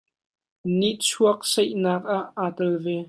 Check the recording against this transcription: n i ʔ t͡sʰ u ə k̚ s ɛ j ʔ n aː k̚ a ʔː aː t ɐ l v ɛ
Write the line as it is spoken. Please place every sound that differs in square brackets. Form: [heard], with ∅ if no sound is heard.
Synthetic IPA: n i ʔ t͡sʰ u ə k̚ s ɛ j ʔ n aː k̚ a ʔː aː t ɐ l v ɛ